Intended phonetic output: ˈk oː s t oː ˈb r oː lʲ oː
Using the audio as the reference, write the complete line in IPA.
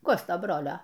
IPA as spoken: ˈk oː s t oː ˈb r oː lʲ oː